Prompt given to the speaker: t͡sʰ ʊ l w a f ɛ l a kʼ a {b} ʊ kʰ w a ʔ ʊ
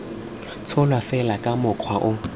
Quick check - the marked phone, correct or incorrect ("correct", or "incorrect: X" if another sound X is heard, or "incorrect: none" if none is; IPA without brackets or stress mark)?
incorrect: m